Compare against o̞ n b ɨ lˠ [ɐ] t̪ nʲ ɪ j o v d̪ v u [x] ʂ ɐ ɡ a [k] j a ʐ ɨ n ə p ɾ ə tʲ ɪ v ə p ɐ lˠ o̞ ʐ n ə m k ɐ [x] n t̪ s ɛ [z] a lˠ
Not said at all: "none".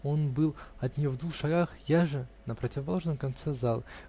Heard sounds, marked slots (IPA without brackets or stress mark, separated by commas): ɐ, x, x, none, z